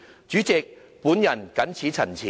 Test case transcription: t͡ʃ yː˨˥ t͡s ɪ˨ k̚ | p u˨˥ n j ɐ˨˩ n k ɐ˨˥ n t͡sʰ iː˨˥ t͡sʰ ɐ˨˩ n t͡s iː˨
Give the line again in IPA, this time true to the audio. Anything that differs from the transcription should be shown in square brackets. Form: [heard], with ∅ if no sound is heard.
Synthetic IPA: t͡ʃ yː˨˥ t͡s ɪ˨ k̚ | p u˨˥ n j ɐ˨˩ n k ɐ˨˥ n t͡sʰ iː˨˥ t͡sʰ ɐ˨˩ n [t͡sʰ] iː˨